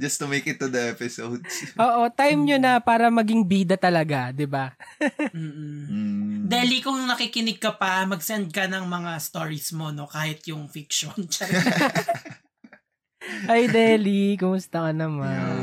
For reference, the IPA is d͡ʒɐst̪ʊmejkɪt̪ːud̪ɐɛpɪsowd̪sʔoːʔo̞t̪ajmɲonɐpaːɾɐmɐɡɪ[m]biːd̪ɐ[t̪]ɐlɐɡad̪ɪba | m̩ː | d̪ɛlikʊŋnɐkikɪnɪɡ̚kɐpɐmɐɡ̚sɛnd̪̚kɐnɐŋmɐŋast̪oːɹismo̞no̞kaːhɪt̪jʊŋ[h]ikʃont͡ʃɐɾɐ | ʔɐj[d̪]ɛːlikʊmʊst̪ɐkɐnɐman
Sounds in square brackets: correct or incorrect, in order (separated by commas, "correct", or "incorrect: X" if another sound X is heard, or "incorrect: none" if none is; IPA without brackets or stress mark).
incorrect: ŋ, correct, incorrect: f, correct